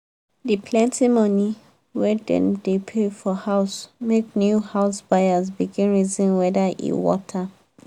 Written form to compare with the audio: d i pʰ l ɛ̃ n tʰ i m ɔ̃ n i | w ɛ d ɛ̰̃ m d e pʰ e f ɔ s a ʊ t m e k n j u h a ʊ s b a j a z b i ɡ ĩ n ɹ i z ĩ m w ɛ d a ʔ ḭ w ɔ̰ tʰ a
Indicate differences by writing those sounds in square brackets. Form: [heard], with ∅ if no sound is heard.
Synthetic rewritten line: d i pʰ l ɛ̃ n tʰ i m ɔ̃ n i | w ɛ d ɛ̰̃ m d e pʰ e f ɔ [h] a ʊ [s] m e k n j u h a ʊ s b a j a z b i ɡ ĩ n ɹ i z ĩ [n] w ɛ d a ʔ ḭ w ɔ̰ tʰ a